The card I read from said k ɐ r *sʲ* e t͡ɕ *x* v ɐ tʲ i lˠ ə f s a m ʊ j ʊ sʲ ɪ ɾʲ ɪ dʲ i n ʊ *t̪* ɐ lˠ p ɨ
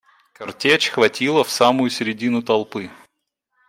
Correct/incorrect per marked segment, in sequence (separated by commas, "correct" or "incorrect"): incorrect, correct, correct